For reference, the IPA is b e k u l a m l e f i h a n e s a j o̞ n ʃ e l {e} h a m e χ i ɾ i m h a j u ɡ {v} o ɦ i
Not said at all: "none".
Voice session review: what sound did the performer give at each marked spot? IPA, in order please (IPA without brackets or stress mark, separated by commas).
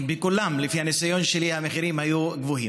i, v